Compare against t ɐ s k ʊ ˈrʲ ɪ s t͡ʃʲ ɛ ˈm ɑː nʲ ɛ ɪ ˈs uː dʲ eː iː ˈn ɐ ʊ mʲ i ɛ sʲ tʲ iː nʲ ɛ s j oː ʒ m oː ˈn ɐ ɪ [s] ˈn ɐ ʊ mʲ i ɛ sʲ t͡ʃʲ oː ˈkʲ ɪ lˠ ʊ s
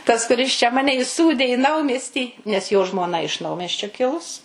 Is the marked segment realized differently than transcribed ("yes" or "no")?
yes